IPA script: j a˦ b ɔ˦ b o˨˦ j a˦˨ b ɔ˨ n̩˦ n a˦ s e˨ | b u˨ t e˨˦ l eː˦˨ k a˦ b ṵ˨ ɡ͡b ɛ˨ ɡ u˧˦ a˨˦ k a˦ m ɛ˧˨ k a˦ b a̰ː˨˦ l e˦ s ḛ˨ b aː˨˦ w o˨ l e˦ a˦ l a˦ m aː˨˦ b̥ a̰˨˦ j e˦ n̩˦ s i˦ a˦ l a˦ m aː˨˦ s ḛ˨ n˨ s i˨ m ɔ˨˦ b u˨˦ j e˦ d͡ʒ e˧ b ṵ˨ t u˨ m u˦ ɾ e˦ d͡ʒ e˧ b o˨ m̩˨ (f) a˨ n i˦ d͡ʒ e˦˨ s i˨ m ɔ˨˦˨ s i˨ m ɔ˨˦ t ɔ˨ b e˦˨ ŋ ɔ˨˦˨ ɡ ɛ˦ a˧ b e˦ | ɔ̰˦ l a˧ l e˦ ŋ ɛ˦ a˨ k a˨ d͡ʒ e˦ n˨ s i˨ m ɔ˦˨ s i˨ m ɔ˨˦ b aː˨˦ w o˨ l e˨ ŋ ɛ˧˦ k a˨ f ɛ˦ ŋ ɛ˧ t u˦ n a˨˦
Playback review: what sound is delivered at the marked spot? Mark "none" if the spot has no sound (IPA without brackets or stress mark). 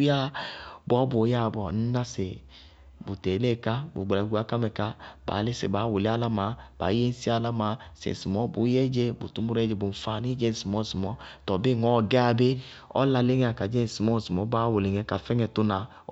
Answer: f